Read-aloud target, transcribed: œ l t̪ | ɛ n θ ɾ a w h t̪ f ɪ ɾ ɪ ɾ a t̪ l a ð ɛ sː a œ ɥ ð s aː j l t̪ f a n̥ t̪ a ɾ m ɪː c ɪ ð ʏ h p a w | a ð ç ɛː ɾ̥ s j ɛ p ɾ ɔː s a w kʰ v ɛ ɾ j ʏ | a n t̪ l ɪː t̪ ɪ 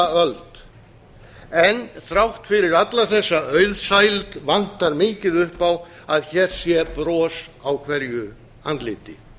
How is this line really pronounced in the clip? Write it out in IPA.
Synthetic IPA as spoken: œ l t̪ | ɛ n θ ɾ a w h t̪ f ɪ ɾ ɪ ɾ a t̪ l a θ ɛ sː a œ ɥ ð s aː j l t̪ v a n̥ t̪ a ɾ m ɪː c ɪ ð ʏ h p a w | a ð ç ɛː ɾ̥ s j ɛ p ɾ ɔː s a w kʰ v ɛ ɾ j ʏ | a n t̪ l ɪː t̪ ɪ